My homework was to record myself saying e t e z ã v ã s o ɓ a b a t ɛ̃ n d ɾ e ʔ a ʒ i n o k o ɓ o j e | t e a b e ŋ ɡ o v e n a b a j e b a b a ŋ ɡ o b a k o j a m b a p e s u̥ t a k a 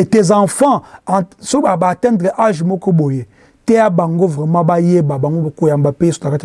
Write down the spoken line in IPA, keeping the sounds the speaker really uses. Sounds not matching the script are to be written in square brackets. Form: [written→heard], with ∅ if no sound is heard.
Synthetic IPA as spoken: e t e z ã [v→f] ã s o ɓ a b a t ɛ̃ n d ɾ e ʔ a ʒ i [n→m] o k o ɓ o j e | t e a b [e→a] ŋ ɡ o v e [n→m] a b a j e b a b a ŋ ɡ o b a k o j a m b a p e s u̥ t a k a